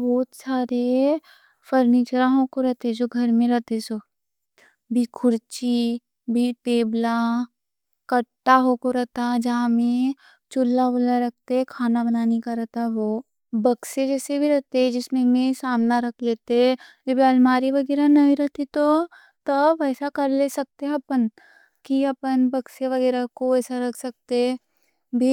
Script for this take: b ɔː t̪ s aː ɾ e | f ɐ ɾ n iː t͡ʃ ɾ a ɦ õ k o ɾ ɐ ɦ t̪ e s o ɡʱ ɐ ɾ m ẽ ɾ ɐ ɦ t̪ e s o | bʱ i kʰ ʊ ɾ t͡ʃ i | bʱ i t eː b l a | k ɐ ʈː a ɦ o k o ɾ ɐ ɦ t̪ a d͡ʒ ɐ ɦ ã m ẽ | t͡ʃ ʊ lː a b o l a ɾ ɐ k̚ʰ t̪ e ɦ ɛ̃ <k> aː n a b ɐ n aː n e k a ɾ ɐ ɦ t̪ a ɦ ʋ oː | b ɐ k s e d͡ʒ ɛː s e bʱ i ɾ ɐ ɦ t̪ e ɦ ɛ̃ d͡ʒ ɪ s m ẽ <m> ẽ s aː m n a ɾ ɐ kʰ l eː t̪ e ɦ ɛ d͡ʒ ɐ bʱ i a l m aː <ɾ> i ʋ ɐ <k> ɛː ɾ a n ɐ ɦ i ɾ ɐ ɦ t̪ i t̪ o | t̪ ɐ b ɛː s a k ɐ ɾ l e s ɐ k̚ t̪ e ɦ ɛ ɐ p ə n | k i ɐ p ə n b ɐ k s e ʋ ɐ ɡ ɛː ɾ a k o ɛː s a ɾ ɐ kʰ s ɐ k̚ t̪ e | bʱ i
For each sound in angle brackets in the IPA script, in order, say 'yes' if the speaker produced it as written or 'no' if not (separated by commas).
no, yes, yes, no